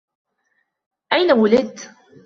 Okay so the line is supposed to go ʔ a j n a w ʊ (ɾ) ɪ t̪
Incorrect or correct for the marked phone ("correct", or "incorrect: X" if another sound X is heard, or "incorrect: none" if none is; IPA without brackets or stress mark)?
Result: incorrect: l